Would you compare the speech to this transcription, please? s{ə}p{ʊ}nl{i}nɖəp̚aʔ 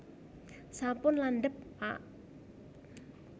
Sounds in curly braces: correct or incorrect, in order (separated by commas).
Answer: incorrect, correct, incorrect